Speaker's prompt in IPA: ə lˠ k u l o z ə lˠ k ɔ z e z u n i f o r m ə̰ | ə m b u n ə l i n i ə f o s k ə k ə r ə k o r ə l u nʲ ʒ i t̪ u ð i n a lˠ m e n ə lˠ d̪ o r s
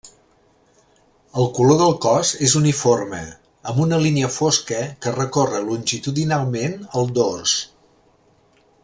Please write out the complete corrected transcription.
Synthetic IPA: ə lˠ k u l o ð ə lˠ k ɔ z e z u n i f o r m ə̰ | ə m b u n ə l i n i ə f o s k ə k ə r ə k o r ə l u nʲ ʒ i t̪ u ð i n a lˠ m e n ə lˠ d̪ o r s